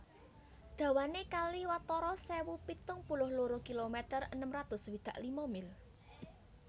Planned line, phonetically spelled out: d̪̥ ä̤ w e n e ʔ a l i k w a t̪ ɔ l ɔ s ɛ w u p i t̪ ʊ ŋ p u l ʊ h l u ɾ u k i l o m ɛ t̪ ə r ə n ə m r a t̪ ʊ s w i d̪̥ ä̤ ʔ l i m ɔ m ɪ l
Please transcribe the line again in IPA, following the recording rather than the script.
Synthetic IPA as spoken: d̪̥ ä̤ w a n e k a l i w a t̪ ɔ ɾ ɔ s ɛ w u p i t̪ ʊ ŋ p u l ʊ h l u ɾ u k i l o m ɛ t̪ ə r ə n ə m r a t̪ ʊ s w i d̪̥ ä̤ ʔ l i m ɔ m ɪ l

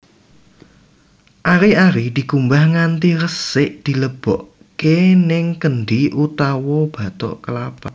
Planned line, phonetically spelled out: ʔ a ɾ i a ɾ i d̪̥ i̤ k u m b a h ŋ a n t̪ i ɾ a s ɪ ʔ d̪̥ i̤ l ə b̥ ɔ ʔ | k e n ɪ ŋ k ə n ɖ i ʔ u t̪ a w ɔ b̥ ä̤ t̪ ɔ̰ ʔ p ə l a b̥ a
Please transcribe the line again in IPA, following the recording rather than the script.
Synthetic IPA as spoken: ʔ a ɾ i a ɾ i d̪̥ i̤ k u m b a h ŋ a n t̪ i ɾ ə s ɪ ʔ d̪̥ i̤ l ə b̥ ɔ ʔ | k e n ɪ ŋ k ə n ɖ i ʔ u t̪ a w ɔ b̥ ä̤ t̪ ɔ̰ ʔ k ə l a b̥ a

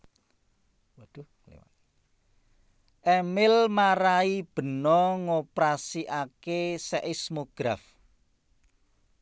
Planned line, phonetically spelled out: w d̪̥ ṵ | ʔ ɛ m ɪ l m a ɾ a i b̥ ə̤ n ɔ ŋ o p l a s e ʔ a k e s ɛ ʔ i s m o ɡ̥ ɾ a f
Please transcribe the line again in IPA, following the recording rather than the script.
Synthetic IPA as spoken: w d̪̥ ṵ | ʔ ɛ m ɪ l m a ɾ a i b̥ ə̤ n ɔ ŋ o p ɾ a s i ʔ a k e s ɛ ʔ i s m o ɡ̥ ɾ a f

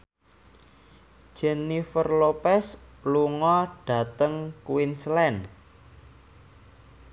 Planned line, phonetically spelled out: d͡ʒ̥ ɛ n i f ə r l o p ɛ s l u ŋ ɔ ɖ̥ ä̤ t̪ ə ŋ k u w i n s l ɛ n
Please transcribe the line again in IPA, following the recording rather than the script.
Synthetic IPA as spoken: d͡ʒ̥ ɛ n i f ə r l o p ɛ s l u ŋ ɔ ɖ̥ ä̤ t̪ ə ŋ k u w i n s l ɛ n

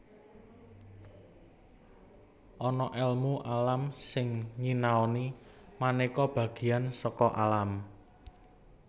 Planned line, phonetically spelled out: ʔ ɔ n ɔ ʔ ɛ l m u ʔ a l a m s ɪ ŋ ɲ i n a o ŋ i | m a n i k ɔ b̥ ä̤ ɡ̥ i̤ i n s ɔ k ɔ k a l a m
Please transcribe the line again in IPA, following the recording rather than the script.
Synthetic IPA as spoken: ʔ ɔ n ɔ ʔ ɛ l m u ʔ a l a m s ɪ ŋ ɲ i n a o n i | m a n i k ɔ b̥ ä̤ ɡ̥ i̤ a n s ɔ k ɔ ʔ a l a m

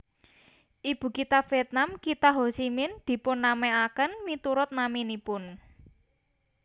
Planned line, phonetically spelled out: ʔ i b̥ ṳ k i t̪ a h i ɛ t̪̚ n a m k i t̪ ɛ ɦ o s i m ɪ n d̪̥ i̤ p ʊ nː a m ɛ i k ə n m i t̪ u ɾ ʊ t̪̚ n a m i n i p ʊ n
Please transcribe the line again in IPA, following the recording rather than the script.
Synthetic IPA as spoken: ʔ i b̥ ṳ k i t̪ a f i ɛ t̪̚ n a m k i t̪ a ɦ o s i m ɪ n d̪̥ i̤ p ʊ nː a m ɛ a k ə n m i t̪ u ɾ ʊ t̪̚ n a m i n i p ʊ n

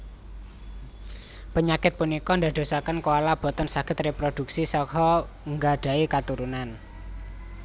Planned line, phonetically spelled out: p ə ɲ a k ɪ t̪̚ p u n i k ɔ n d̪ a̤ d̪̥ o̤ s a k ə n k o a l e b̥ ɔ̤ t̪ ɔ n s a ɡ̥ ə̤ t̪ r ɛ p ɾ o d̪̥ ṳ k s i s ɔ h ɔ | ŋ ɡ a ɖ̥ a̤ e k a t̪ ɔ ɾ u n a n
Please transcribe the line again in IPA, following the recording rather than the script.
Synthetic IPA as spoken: p ə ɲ a k ɪ t̪̚ p u n i k ɔ n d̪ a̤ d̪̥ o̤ s a k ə n k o a l a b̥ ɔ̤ t̪ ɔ n s a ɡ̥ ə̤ t̪ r e p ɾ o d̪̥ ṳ k s i s ɔ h ɔ | ŋ ɡ a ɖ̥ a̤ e k a t̪ u ɾ u n a n

